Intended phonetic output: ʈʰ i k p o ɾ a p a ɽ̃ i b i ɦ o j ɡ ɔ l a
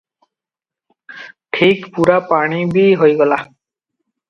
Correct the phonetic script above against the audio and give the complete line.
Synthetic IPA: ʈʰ i k p u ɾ a p a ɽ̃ i b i ɦ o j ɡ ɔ l a

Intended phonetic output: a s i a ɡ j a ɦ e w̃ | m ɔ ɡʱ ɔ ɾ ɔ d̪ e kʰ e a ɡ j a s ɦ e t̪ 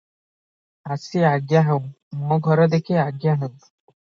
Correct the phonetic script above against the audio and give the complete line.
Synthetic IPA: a s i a ɡ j a ɦ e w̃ | m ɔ ɡʱ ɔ ɾ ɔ d̪ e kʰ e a ɡ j a ɦ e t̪

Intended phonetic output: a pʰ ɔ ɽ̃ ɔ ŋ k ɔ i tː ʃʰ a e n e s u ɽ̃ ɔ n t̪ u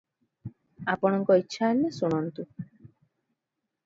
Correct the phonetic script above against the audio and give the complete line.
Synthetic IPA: a p ɔ ɽ̃ ɔ ŋ k ɔ i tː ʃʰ a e n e s u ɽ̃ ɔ n t̪ u

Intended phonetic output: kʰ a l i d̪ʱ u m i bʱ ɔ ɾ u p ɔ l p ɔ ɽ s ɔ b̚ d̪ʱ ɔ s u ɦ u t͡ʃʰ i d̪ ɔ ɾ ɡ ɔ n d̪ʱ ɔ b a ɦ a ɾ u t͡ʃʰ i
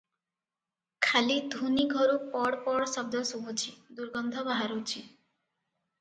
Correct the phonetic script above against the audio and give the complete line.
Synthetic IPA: kʰ a l i d̪ʱ u n i ɡʱ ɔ ɾ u p ɔ ɽ p ɔ ɽ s ɔ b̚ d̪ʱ ɔ s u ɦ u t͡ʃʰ i d̪ u ɾ ɡ ɔ n d̪ʱ ɔ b a ɦ a ɾ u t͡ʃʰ i

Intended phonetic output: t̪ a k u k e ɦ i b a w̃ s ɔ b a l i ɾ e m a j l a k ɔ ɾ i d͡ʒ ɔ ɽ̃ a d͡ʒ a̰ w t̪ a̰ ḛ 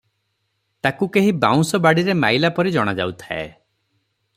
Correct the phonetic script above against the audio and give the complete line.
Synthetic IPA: t̪ a k u k e ɦ i b a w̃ s ɔ b a ɽ i ɾ e m a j l a p ɔ ɾ i d͡ʒ ɔ ɽ̃ a d͡ʒ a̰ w t̪ʰ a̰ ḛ

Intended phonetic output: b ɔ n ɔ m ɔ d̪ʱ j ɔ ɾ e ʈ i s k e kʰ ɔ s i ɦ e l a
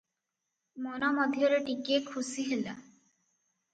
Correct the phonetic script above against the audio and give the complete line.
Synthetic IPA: m ɔ n ɔ m ɔ d̪ʱ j ɔ ɾ e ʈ i k e kʰ u s i ɦ e l a

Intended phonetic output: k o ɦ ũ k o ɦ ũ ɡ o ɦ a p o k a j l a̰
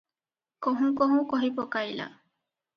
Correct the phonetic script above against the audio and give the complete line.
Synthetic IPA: k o ɦ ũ k o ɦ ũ k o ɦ i p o k a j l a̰

